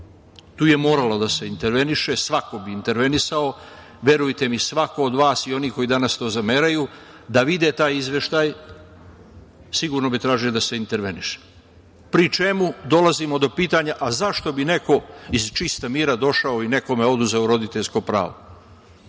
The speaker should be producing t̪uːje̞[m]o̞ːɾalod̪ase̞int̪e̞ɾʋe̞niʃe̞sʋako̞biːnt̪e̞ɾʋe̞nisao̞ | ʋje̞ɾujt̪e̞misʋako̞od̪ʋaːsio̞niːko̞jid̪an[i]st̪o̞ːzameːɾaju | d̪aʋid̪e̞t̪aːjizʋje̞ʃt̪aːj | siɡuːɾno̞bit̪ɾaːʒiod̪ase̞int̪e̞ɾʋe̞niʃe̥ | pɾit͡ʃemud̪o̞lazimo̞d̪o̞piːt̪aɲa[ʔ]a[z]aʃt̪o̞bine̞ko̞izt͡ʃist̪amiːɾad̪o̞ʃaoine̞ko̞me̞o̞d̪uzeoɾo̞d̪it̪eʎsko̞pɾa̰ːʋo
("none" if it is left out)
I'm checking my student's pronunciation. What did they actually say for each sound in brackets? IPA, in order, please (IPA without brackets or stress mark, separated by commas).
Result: m, a, ʔ, z